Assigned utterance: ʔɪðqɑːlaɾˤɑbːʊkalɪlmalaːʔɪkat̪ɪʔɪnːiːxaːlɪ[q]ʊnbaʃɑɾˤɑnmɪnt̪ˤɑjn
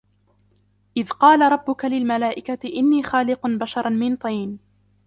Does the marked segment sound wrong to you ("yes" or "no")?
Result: no